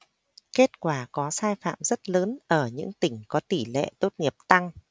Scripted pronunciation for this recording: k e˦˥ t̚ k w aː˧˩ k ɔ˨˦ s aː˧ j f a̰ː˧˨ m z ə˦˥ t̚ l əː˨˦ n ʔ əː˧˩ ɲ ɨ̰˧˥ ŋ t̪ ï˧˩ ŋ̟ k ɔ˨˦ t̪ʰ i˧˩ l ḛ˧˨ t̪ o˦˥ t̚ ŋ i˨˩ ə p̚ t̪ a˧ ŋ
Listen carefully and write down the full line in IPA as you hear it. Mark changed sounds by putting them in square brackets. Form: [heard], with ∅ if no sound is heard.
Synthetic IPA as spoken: k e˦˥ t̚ k w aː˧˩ k ɔ˨˦ s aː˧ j f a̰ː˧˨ m z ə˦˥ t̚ l əː˨˦ n ʔ əː˧˩ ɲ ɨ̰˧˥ ŋ t̪ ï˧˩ ŋ̟ k ɔ˨˦ [t̪] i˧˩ l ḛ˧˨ t̪ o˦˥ t̚ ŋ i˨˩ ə p̚ t̪ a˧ ŋ

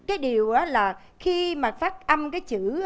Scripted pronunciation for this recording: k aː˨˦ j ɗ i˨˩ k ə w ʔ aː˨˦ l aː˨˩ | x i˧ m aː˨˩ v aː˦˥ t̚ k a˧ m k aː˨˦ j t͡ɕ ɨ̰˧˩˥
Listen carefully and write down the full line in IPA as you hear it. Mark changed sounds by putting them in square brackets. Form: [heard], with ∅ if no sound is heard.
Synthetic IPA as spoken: k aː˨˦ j ɗ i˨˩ [∅] ə w ʔ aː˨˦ l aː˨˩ | x i˧ m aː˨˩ [f] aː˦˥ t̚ [ʔ] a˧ m k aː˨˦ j t͡ɕ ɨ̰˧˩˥

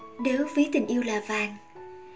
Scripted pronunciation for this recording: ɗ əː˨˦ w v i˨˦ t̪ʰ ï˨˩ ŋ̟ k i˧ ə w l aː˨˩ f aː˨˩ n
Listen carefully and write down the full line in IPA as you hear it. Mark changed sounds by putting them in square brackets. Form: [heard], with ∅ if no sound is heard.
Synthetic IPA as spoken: ɗ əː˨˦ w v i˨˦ [t̪] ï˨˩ ŋ̟ [ʔ] i˧ ə w l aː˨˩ [v] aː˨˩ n

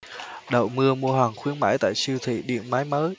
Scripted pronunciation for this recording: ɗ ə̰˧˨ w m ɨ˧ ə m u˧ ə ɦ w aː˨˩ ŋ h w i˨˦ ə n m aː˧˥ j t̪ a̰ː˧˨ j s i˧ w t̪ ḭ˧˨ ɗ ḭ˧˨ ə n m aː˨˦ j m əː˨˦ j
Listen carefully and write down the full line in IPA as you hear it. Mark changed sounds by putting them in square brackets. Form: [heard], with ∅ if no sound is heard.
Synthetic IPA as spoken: ɗ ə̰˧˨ w m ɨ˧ ə m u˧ ə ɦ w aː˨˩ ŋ [x] w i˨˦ ə n m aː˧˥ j t̪ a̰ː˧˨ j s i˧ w [t̪ʰ] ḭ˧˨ ɗ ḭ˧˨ ə n m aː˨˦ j m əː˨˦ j

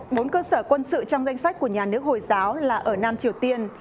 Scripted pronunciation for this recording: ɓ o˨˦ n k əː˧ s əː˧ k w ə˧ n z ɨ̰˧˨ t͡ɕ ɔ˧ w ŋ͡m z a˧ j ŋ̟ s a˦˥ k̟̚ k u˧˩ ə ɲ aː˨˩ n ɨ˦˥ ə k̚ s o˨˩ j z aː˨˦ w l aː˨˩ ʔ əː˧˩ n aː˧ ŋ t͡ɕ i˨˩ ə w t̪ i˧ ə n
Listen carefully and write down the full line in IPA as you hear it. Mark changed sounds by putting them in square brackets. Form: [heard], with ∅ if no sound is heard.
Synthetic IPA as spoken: ɓ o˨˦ n k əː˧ s [əː˧˩] k w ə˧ n [s] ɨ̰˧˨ t͡ɕ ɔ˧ w ŋ͡m z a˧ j ŋ̟ s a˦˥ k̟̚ k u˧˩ ə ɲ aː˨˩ n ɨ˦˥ ə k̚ [h] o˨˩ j z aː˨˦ w l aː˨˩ ʔ əː˧˩ n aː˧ [m] t͡ɕ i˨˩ ə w t̪ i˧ ə n

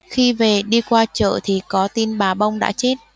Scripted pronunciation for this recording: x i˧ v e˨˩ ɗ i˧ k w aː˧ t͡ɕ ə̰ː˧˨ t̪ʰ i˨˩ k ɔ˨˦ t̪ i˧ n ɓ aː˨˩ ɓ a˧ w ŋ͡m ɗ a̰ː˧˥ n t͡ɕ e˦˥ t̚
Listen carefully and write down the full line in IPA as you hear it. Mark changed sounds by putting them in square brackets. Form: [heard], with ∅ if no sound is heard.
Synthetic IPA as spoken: x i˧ v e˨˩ ɗ i˧ k w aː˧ t͡ɕ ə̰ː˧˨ t̪ʰ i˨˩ k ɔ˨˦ t̪ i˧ n ɓ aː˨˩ ɓ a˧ w ŋ͡m ɗ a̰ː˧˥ [∅] t͡ɕ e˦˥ t̚

